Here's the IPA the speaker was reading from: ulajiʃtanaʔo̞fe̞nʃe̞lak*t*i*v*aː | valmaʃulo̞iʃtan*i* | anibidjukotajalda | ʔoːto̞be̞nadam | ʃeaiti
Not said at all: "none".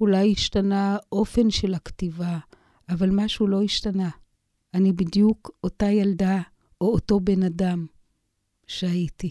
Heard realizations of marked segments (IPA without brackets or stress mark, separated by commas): t, v, a